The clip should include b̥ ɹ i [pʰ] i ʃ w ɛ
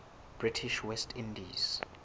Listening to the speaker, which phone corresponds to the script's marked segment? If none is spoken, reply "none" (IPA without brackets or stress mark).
tʰ